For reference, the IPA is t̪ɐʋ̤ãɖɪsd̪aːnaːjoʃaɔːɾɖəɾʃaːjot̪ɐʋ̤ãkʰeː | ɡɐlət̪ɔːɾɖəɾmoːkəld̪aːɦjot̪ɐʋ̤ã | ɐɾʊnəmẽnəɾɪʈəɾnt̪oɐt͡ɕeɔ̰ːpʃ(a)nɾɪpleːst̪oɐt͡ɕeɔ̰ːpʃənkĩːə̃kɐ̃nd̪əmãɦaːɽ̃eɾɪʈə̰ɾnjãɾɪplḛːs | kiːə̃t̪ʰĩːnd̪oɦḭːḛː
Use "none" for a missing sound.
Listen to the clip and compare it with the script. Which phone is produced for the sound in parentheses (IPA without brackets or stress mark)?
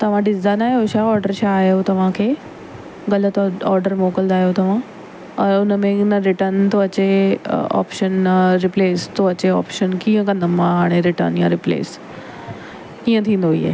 ə